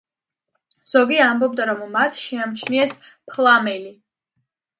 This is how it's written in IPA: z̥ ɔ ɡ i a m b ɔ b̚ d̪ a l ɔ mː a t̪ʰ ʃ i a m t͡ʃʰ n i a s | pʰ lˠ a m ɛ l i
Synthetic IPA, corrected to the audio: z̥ ɔ ɡ i a m b ɔ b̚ d̪ a ɾ ɔ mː a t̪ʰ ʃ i a m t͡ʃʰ n i ɛ s | pʰ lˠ a m ɛ l i